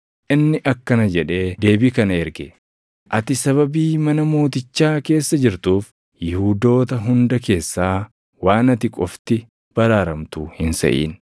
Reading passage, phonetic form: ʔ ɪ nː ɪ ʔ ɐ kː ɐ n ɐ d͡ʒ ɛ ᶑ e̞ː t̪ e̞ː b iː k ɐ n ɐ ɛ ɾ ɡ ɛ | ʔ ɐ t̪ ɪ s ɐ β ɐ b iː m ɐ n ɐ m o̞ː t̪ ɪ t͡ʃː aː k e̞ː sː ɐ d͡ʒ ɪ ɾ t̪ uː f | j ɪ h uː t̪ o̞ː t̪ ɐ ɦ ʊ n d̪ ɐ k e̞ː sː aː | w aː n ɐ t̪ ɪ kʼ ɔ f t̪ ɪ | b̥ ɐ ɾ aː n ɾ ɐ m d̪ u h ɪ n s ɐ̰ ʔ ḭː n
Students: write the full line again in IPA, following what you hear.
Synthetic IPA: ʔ ɪ nː ɪ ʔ ɐ kː ɐ n ɐ d͡ʒ ɛ ᶑ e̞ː d̪ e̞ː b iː k ɐ n ɐ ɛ ɾ ɡ ɛ | ʔ ɐ t̪ ɪ s ɐ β ɐ b iː m ɐ n ɐ m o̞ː t̪ ɪ t͡ʃː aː k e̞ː sː ɐ d͡ʒ ɪ ɾ t̪ uː f | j ɪ h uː d̪ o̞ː t̪ ɐ ɦ ʊ n d̪ ɐ k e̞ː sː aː | w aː n ɐ t̪ ɪ kʼ ɔ f t̪ ɪ | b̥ ɐ ɾ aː ɾ ɐ m t̪ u h ɪ n s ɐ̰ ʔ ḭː n

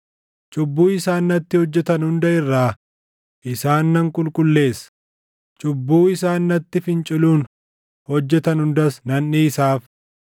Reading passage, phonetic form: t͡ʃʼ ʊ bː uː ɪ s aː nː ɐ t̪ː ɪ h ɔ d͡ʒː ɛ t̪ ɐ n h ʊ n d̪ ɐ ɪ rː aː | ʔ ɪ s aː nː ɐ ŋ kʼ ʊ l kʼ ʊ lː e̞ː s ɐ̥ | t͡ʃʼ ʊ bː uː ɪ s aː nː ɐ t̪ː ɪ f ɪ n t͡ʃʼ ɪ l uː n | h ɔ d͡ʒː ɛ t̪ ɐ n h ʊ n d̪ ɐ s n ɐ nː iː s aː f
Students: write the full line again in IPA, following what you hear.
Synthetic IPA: t͡ʃʼ ʊ bː uː ɪ s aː nː ɐ t̪ː ɪ h ɔ d͡ʒː ɛ t̪ ɐ n h ʊ n d̪ ɐ ɪ rː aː | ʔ ɪ s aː nː ɐ ŋ kʼ ʊ l kʼ ʊ lː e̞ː s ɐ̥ | t͡ʃʼ ʊ bː uː ɪ s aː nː ɐ t̪ː ɪ f ɪ n t͡ʃʼ ɪ l uː n | h ɔ d͡ʒː ɛ t̪ ɐ n h ʊ n d̪ ɐ s n ɐ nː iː s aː f

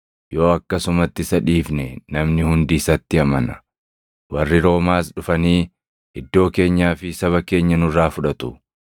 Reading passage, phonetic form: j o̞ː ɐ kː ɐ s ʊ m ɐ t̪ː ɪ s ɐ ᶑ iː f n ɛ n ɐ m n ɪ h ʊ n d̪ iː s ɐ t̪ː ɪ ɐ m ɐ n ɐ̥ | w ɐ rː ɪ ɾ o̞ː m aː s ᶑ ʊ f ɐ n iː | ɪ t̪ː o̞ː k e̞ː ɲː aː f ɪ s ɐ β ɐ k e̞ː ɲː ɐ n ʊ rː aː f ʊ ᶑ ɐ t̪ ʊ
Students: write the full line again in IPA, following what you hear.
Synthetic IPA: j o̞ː ɐ kː ɐ s ʊ m ɐ t̪ː ɪ s ɐ ᶑ iː f n ɛ n ɐ m n ɪ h ʊ n d̪ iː s ɐ t̪ː ɪ ɐ m ɐ n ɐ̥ | w ɐ rː ɪ ɾ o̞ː m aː s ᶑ ʊ f ɐ n iː | ɪ d̪ː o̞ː k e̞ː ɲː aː f ɪ s ɐ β ɐ k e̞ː ɲː ɐ n ʊ rː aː f ʊ ᶑ ɐ t̪ ʊ

